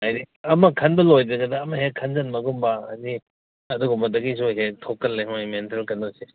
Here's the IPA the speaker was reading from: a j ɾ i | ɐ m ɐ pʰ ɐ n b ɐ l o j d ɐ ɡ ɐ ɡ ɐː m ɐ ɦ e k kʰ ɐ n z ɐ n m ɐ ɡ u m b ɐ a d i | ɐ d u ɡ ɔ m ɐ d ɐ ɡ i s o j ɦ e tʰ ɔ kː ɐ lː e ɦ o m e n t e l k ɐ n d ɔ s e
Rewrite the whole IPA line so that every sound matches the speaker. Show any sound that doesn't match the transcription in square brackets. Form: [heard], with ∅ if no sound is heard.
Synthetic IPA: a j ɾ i | ɐ m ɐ [kʰ] ɐ n b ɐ l o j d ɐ ɡ ɐ [d] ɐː m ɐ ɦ e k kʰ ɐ n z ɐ n m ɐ ɡ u m b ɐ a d i | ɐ d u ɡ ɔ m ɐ d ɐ ɡ i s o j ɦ e tʰ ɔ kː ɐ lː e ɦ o m e n t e l k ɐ n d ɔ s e